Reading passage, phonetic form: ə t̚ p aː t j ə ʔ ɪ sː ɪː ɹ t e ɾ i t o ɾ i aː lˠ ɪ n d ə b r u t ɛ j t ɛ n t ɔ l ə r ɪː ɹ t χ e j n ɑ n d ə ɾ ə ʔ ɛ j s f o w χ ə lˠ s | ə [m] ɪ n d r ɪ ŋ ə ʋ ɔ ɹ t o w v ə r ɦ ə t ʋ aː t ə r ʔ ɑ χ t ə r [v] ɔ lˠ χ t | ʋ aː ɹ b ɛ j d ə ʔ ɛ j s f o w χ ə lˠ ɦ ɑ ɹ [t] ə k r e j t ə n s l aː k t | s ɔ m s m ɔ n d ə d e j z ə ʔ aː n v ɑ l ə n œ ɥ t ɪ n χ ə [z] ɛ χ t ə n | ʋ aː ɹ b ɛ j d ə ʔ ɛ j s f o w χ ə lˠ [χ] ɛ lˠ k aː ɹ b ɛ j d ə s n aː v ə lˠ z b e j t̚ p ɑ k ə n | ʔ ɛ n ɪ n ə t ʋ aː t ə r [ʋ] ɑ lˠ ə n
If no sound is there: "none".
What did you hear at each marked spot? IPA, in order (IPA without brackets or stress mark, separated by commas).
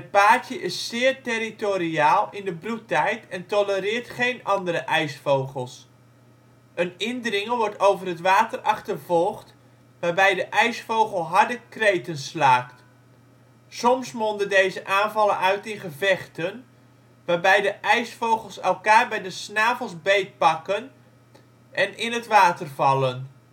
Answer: n, v, d, v, s, v